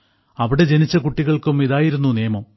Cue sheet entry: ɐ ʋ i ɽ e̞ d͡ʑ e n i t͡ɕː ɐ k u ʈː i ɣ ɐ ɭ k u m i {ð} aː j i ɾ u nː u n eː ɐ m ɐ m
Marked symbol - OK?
yes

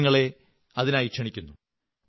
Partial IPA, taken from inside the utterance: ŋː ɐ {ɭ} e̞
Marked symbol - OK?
yes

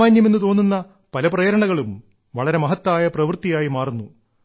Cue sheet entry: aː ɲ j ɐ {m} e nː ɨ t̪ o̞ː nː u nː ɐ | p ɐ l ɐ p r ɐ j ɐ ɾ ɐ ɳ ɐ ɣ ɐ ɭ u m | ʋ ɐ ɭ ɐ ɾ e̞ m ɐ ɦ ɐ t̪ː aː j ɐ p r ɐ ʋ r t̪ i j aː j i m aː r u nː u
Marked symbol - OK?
yes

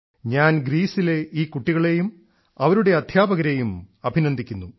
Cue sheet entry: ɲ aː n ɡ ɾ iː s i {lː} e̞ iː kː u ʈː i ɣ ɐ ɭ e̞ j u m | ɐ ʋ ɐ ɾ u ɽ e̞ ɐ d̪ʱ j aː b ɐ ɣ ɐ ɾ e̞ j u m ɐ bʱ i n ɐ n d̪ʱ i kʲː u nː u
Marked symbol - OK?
no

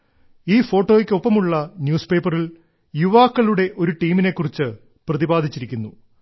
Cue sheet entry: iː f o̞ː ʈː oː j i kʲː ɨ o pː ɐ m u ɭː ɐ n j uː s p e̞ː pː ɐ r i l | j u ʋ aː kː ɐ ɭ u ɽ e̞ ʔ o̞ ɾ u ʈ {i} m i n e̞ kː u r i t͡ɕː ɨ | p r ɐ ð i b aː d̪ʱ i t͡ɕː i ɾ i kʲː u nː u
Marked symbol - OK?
no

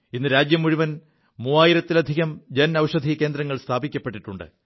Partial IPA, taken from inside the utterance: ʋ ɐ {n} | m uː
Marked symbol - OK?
yes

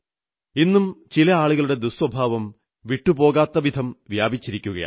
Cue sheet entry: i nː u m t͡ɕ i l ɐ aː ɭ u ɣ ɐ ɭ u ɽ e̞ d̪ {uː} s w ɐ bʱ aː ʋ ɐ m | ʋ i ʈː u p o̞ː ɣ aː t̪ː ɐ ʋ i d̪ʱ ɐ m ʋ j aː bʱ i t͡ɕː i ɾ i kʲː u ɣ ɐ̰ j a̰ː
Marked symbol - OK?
no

